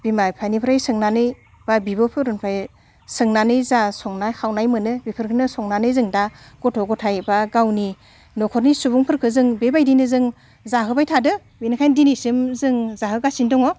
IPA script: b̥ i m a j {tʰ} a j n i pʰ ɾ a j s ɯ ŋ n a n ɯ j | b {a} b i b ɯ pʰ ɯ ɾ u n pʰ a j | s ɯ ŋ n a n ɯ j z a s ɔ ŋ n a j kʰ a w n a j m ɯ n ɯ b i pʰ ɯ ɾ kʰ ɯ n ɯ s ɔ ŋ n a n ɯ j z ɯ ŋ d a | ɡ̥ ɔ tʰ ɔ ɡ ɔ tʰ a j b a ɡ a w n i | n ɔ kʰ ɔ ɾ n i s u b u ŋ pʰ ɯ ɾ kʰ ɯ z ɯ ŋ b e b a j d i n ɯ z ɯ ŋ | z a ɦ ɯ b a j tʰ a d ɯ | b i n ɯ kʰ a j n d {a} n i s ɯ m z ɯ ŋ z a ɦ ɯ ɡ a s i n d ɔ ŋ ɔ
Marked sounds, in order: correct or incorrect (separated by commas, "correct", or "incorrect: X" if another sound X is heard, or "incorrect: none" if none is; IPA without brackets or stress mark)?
incorrect: pʰ, correct, incorrect: i